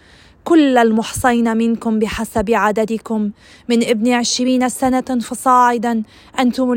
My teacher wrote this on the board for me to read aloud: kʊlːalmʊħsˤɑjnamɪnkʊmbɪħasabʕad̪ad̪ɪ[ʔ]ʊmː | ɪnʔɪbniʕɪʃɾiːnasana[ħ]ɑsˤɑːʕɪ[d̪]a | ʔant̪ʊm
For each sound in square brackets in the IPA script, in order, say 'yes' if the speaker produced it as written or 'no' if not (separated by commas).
no, no, yes